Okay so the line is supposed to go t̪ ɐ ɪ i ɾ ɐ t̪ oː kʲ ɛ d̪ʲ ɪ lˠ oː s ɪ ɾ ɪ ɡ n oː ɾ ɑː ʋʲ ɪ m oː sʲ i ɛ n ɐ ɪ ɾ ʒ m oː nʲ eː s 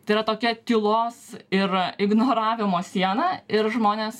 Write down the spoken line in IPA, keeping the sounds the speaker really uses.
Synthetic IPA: t̪ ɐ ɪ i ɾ ɐ t̪ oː kʲ ɛ t̪ʲ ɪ lˠ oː s ɪ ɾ ɪ ɡ n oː ɾ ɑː ʋʲ ɪ m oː sʲ i ɛ n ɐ ɪ ɾ ʒ m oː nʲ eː s